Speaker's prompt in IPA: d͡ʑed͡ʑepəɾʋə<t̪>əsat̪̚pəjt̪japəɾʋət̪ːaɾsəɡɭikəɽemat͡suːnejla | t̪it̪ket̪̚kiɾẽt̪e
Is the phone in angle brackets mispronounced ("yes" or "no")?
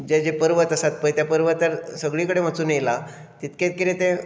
no